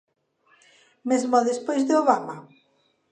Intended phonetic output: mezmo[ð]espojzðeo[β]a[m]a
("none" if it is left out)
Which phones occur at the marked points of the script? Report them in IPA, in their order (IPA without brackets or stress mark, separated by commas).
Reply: ð, β, m